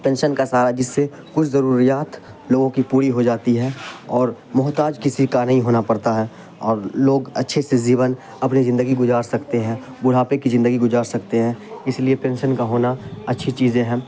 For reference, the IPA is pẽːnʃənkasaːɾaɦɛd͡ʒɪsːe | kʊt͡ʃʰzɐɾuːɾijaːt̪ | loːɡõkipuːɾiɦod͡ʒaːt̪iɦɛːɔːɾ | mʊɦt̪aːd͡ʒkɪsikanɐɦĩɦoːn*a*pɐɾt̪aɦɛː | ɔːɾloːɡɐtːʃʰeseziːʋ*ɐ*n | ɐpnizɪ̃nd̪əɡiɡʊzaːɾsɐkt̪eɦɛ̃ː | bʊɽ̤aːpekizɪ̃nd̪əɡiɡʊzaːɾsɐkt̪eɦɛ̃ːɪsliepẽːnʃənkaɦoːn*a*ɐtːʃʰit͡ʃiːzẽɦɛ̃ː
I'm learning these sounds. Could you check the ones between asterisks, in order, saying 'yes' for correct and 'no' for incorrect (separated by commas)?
yes, no, yes